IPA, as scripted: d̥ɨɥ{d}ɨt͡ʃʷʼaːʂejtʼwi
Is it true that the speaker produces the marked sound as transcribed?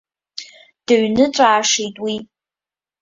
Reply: no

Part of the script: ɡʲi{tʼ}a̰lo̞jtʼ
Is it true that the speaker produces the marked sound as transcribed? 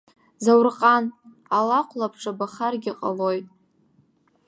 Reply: no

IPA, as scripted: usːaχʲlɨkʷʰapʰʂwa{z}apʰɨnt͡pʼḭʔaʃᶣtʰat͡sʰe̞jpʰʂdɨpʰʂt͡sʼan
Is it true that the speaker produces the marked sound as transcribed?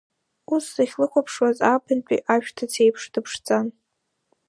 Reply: yes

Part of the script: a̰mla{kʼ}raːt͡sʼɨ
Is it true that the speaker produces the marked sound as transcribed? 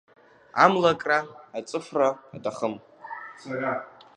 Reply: yes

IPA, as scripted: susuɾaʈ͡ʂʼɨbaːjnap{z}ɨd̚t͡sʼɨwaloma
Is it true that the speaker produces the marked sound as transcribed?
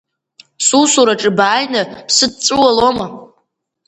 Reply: no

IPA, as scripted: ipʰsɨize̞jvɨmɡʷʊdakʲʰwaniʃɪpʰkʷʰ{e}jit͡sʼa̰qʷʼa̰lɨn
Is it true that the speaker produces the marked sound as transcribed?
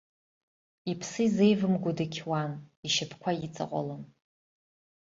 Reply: no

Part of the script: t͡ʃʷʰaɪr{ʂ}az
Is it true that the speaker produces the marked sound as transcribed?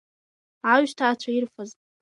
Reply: no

